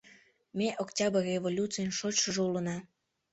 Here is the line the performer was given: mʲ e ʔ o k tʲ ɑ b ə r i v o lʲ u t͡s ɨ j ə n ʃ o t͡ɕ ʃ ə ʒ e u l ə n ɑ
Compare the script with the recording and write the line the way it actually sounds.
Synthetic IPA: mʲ e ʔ o k tʲ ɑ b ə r e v o lʲ u t͡s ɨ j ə n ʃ o t͡ɕ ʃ ə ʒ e u l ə n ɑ